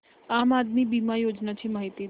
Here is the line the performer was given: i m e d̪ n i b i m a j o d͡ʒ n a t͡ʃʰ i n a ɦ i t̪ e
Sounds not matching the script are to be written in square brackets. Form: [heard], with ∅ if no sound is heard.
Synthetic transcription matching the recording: [a] m [a] d̪ [m] i b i m a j o d͡ʒ n a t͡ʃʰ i [m] a ɦ i t̪ [i]

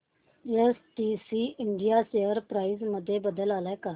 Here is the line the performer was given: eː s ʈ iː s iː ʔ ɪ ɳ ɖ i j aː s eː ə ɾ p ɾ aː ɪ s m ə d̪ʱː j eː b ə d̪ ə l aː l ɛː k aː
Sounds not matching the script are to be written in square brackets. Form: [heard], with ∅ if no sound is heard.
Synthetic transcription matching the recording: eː s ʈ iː s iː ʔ ɪ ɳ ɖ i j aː s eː ə ɾ p ɾ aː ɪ [z] m ə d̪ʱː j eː b ə d̪ ə l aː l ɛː k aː

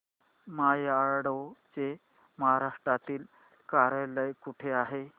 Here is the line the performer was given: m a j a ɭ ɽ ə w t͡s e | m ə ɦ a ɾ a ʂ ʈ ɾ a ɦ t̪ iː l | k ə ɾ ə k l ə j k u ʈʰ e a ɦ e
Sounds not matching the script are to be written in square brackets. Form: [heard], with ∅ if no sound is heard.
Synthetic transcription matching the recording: m a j a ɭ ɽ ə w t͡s e | m ə ɦ a ɾ a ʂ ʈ ɾ a [∅] t̪ iː l | k [a] ɾ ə [∅] l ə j k u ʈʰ e a ɦ e

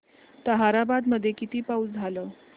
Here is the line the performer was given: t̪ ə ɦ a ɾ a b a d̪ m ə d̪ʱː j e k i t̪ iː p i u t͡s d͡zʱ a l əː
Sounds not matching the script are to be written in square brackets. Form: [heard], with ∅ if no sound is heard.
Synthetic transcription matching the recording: t̪ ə ɦ a ɾ a b a d̪ m ə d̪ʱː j e k i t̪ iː p [a] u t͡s d͡zʱ a l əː

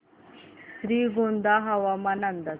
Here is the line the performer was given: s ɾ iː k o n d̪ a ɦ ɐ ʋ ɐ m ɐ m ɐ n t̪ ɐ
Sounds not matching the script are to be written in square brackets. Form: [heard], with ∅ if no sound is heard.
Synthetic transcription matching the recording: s ɾ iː [ɡ] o n d̪ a ɦ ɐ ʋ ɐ m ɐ [n] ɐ n [d̪] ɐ

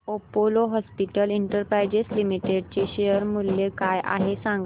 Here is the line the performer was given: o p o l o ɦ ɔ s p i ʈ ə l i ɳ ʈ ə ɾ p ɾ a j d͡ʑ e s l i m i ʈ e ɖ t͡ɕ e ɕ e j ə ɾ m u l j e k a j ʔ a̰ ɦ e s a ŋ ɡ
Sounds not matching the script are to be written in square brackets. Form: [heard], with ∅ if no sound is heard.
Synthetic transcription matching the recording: o p o l o ɦ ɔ s p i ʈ ə l i ɳ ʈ ə ɾ p ɾ a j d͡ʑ e s l i m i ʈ e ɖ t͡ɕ e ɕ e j ə ɾ m u l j e k a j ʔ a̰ ɦ e s a ŋ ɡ

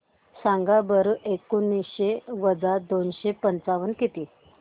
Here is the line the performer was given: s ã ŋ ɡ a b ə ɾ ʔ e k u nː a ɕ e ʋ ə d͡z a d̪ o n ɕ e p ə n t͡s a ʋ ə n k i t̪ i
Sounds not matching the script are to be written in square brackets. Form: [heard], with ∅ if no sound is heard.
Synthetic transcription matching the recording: s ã ŋ ɡ a b ə ɾ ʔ e k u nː [i] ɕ e ʋ ə d͡z a d̪ o n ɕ e p ə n t͡s a ʋ ə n k i t̪ i

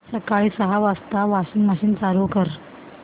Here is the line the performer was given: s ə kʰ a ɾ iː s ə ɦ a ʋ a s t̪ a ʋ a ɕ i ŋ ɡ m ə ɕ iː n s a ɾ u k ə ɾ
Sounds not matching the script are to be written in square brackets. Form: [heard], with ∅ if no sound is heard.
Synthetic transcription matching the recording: s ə [k] a [ɭ] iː s ə ɦ a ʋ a s t̪ a ʋ a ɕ i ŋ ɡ m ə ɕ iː n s a ɾ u k ə ɾ

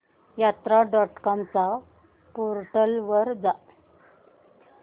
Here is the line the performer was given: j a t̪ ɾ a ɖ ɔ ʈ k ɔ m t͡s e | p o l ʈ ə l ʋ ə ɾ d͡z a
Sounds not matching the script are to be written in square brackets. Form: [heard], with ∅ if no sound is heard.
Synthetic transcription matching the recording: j a t̪ ɾ a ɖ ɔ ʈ k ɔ m t͡s [a] | p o [ɾ] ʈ ə l ʋ ə ɾ d͡z a

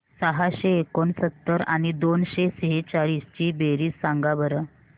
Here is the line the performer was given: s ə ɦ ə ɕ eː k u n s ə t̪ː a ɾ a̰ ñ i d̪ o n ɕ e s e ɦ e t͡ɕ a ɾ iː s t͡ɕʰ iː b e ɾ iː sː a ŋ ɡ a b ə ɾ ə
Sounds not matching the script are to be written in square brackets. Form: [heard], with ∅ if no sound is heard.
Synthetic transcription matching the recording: s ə ɦ [a] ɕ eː k [o] n s ə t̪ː [ə] ɾ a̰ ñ i d̪ o n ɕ e s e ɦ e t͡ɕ a [ɭ] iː s [t͡ɕ] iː b e ɾ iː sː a ŋ ɡ a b ə ɾ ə

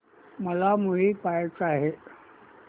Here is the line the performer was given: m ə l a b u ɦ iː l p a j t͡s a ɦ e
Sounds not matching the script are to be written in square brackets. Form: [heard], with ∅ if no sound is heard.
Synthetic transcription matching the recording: m ə l a [m] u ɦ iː [∅] p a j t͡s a ɦ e

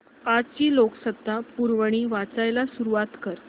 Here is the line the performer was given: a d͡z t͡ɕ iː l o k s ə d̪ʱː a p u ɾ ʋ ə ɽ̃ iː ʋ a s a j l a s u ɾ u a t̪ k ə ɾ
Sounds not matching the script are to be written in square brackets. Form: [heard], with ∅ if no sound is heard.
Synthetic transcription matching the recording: a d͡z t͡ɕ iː l o k s ə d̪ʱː a p u ɾ ʋ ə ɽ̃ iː ʋ a [t͡s] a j l a s u ɾ u a t̪ k ə ɾ

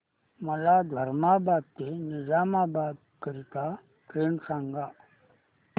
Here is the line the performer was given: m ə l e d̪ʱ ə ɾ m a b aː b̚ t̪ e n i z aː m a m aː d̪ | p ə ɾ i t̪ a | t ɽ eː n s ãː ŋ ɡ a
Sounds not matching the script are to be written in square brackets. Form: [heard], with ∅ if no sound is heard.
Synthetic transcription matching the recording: m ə l [a] d̪ʱ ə ɾ m a b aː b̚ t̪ e n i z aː m a [b] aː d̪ | [k] ə ɾ i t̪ a | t [ɾ] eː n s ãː ŋ ɡ a

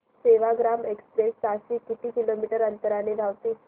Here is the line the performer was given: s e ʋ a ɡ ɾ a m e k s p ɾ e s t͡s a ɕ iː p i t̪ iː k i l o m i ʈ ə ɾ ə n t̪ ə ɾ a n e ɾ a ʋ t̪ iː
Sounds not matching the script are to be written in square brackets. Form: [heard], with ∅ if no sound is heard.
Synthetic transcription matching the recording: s e ʋ a ɡ ɾ a m e k s p ɾ e s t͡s a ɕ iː [k] i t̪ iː k i l o m i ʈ ə ɾ ə n t̪ ə ɾ a n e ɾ a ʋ t̪ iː

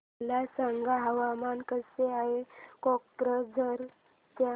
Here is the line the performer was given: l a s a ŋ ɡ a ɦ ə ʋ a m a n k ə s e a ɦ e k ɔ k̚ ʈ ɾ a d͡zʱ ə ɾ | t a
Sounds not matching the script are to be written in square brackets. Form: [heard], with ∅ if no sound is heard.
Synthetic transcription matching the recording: l a s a ŋ ɡ a ɦ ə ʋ a m a n k ə s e a ɦ e k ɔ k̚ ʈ ɾ [ə] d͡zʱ ə ɾ | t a

